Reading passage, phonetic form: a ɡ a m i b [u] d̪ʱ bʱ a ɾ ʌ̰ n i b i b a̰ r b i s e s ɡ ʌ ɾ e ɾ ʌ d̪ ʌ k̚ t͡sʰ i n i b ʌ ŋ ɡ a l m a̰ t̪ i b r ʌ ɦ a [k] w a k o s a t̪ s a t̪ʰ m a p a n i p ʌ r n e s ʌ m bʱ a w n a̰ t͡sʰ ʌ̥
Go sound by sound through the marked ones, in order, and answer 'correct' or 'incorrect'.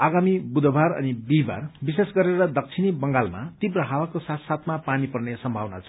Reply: correct, incorrect

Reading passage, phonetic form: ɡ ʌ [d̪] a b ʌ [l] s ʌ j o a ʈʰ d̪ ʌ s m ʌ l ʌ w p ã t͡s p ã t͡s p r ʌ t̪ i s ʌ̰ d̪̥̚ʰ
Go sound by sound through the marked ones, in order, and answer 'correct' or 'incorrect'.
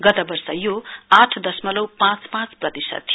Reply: incorrect, incorrect

